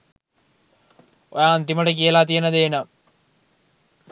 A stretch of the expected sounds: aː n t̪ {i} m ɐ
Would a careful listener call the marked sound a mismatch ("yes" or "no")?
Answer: no